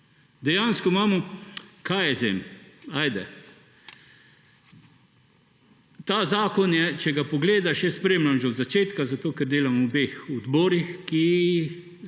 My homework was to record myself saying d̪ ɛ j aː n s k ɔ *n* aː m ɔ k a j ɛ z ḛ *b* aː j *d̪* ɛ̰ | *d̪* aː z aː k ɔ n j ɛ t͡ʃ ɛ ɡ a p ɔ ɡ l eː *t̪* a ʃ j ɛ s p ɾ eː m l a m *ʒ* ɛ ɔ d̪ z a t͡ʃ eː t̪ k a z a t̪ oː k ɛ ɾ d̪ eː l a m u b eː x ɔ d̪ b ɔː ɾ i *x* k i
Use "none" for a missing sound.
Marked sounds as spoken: m, m, d̪, t̪, d̪, ʒ, x

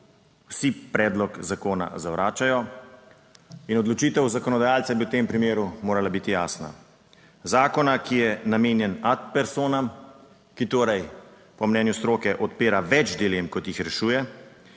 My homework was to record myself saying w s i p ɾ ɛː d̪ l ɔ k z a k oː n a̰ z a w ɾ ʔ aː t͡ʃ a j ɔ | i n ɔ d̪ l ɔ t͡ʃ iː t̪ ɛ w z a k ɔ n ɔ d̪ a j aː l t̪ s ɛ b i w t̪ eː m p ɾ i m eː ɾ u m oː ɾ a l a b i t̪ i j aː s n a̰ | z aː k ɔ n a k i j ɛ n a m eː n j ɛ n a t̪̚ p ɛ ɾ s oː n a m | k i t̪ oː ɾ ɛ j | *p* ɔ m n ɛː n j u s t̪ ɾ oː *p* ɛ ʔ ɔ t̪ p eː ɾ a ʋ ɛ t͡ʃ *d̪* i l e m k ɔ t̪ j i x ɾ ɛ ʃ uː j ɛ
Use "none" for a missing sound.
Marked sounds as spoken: p, k, d̪

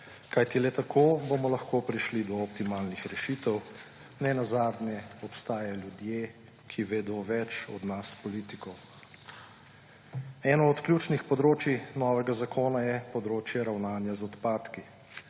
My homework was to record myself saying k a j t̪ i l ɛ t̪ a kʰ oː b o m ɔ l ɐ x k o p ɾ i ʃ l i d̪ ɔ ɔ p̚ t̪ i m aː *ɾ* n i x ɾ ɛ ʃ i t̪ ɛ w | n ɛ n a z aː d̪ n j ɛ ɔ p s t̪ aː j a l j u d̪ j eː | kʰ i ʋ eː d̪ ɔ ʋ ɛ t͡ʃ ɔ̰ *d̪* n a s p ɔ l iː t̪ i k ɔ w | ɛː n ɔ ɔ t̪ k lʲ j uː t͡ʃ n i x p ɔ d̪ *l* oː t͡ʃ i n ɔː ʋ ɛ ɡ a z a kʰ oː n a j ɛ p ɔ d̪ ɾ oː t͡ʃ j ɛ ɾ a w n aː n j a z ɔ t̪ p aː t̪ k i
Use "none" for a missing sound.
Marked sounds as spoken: l, d̪, ɾ

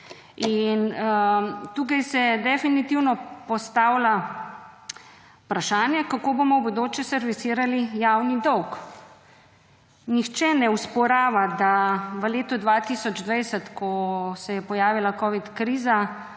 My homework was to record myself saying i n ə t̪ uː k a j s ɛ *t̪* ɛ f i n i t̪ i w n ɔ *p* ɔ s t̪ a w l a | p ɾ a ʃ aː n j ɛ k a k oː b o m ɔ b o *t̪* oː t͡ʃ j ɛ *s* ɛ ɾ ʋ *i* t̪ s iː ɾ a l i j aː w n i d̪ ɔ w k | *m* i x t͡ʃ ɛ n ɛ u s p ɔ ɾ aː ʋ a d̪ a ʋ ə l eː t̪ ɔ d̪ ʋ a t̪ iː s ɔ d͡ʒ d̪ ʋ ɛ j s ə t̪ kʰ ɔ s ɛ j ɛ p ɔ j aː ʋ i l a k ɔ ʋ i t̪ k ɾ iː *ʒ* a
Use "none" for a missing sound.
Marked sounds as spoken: d̪, p, d̪, s, i, n, z

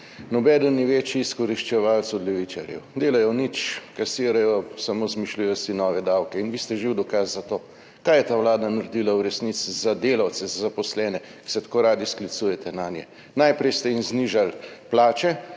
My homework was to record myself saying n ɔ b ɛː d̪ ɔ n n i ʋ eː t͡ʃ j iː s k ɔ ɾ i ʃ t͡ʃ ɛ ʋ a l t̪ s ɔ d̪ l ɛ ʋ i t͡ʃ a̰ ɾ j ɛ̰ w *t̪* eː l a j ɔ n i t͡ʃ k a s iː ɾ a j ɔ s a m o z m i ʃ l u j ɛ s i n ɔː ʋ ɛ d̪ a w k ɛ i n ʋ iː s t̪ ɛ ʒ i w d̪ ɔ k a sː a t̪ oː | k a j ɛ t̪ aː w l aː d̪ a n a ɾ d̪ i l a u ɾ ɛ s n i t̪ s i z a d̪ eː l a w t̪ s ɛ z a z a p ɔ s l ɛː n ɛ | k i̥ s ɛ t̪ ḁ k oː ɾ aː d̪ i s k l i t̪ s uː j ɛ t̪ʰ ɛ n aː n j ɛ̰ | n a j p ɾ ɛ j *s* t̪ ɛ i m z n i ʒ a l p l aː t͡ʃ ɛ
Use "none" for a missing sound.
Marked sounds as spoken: d̪, s

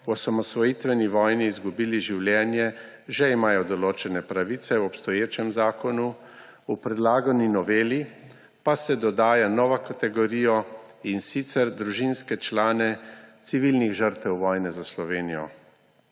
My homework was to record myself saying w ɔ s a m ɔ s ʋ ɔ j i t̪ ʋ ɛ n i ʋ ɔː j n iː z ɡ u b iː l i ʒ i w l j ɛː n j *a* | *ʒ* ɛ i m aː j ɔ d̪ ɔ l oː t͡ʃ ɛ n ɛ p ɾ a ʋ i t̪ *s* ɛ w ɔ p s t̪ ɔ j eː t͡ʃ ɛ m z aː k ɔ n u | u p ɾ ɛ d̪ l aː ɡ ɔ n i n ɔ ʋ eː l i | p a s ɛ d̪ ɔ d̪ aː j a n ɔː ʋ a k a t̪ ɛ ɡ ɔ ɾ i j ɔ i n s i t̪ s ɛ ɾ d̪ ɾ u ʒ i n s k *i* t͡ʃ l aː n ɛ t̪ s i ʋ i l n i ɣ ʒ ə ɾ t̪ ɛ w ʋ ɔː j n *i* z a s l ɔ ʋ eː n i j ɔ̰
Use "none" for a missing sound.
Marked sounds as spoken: ɛ, ʒ, s, ɛ, ɛ

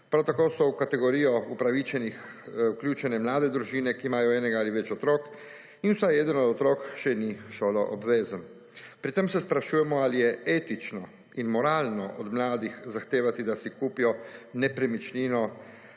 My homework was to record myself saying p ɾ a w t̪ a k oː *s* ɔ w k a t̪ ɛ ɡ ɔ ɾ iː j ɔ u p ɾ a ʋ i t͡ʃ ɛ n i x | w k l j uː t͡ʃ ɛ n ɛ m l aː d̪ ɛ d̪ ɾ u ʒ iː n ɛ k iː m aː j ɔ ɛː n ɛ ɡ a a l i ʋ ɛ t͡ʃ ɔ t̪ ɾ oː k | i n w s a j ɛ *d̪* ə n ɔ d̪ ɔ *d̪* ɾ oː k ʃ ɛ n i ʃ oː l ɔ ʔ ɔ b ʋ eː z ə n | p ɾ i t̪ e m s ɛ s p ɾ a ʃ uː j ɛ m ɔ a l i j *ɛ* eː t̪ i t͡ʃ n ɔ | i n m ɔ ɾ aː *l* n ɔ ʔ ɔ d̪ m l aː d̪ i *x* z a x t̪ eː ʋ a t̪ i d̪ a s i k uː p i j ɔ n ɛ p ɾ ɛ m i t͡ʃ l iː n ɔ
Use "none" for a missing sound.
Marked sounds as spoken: s, d̪, t̪, ɛ, l, x

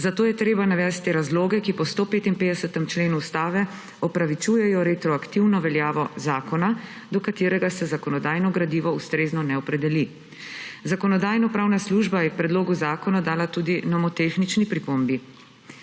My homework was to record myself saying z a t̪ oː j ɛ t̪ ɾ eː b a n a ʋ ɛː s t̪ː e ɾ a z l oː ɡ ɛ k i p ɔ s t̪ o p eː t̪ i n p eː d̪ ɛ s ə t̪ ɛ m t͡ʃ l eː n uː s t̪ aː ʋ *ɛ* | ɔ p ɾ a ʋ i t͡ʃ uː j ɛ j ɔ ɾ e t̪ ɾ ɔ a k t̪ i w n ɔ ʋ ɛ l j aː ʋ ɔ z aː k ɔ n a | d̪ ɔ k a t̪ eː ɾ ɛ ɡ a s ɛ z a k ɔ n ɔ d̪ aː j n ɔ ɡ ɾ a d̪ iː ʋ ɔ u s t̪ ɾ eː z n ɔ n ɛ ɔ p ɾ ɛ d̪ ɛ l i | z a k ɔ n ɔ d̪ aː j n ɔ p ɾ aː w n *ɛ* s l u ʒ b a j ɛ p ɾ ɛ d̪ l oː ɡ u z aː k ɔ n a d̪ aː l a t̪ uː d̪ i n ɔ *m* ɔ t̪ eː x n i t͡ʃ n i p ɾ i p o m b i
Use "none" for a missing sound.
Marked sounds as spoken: ɛ, a, m

